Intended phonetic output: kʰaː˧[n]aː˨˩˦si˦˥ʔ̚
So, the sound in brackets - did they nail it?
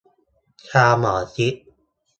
no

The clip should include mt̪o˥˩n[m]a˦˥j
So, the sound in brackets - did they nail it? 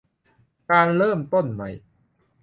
yes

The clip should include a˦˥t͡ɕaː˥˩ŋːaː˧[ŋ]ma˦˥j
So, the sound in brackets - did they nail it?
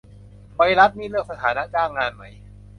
no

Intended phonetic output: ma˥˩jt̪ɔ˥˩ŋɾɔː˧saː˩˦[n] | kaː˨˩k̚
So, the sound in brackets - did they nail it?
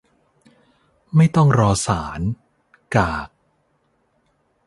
yes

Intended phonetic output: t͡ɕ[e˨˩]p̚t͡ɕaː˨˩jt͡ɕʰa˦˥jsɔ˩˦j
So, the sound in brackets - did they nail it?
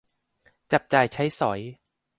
no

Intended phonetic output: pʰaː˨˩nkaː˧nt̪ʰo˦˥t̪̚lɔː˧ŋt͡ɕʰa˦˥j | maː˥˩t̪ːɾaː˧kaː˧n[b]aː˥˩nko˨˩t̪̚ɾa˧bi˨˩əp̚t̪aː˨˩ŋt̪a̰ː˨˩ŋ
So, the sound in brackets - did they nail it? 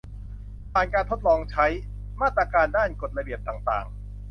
no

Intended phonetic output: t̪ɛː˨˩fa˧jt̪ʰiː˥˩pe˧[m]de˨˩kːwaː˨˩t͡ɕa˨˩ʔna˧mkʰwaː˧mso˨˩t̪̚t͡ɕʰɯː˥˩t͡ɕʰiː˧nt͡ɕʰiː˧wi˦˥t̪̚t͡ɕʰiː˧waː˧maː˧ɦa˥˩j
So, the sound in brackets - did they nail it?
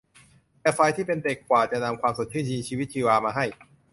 no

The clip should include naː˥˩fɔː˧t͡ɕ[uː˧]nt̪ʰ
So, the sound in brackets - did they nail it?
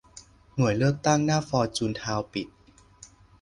yes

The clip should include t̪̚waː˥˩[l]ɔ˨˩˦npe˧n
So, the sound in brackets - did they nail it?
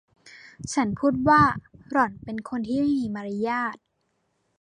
no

